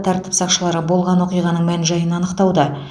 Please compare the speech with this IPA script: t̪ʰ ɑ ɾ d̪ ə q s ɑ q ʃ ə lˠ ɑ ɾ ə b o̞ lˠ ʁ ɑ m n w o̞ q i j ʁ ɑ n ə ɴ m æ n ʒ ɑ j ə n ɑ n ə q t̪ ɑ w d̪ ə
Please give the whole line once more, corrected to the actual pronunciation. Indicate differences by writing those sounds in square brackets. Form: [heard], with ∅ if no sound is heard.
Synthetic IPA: t̪ʰ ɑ ɾ [t̪] ə [p] s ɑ q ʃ ə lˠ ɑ ɾ ə b o̞ lˠ ʁ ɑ [∅] n w o̞ q i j ʁ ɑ n ə ɴ m æ n ʒ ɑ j ə n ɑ n ə q t̪ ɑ w d̪ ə